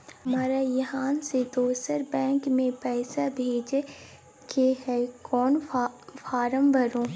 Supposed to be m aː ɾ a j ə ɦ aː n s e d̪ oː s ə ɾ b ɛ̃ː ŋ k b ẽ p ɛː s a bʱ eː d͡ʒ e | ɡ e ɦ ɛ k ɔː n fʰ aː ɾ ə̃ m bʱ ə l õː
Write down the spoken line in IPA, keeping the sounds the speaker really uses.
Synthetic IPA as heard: m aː ɾ a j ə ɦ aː n s e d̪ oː s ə ɾ b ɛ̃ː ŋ k m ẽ p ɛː s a bʱ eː d͡ʒ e | k e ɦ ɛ k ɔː n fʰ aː ɾ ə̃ m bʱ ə ɾ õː